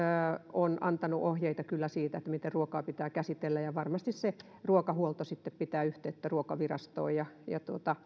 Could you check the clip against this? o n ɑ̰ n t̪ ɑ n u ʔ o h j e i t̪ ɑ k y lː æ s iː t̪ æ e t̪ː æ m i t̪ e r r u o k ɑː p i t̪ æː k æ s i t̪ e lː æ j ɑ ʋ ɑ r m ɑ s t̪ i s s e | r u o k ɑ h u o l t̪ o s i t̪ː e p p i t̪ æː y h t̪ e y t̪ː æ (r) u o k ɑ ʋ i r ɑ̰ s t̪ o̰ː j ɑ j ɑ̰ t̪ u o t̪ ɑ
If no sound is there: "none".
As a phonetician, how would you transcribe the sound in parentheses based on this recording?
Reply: r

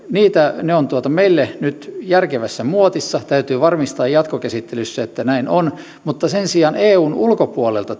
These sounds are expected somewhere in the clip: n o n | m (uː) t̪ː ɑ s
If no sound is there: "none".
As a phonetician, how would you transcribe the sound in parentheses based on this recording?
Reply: u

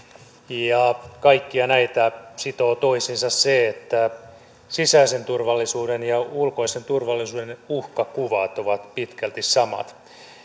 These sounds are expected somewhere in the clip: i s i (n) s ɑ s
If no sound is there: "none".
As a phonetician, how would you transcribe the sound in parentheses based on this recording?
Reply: n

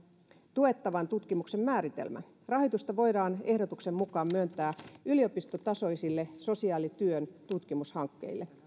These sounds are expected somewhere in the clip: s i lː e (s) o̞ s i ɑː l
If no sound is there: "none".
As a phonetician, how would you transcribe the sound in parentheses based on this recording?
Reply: s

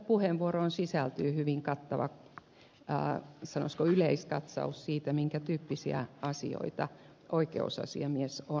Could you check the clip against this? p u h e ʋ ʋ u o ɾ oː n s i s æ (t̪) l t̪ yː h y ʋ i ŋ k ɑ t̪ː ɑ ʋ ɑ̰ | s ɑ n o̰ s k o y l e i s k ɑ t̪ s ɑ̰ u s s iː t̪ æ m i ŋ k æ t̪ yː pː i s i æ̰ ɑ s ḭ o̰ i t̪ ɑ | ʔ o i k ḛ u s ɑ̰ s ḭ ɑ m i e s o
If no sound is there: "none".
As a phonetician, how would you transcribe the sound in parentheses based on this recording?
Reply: none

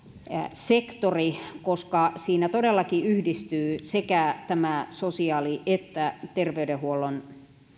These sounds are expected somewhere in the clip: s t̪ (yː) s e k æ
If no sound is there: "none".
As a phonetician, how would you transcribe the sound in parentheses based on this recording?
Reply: yː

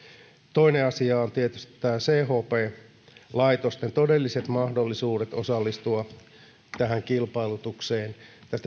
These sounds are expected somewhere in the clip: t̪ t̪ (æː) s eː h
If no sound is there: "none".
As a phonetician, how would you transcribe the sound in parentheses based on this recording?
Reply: æː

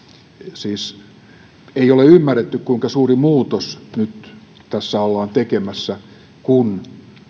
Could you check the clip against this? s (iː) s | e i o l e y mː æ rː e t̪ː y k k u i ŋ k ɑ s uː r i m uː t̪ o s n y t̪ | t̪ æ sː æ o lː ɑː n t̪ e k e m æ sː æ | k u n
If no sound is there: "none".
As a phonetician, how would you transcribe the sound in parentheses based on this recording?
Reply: iː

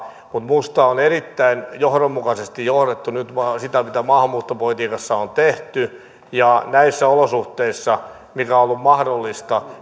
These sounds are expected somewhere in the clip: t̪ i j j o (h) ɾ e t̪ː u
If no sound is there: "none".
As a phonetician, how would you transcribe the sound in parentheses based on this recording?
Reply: h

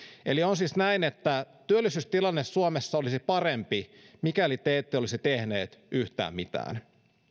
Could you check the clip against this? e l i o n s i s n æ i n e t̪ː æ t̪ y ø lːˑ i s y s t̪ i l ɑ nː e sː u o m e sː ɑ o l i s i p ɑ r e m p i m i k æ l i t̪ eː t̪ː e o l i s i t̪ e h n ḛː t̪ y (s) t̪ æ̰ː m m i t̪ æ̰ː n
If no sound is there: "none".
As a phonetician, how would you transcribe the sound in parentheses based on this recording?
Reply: h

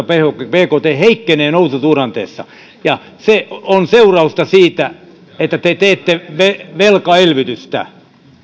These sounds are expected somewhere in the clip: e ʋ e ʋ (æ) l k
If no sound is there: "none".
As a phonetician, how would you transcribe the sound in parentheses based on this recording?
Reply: e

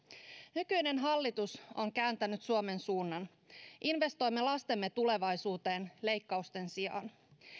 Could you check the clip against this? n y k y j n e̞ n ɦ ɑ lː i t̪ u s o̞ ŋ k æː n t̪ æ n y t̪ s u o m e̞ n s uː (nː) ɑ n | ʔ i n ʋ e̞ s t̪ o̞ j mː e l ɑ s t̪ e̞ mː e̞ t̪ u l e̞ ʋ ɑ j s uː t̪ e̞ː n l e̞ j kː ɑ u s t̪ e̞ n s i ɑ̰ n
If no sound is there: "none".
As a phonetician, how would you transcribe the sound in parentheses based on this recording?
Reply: nː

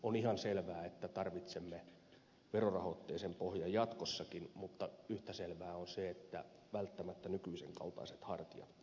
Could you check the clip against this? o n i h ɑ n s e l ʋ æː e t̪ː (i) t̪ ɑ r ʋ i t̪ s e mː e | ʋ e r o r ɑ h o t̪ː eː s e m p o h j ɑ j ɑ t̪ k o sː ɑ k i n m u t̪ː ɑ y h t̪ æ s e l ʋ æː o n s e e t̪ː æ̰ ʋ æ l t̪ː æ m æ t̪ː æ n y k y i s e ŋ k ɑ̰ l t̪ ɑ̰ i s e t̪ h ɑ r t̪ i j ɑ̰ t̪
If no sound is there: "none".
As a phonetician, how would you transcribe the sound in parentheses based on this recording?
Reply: æ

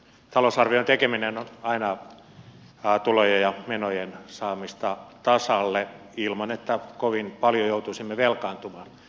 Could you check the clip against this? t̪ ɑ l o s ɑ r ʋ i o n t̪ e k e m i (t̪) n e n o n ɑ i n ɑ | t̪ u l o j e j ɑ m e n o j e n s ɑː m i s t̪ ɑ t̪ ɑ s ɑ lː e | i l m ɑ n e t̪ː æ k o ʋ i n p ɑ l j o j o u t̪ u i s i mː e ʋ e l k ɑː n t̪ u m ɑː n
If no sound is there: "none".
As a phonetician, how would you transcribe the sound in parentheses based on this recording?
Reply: none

